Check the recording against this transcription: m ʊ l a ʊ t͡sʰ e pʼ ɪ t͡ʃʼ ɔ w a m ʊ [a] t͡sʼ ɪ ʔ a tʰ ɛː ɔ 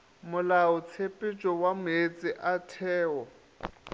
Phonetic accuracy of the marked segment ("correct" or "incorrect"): incorrect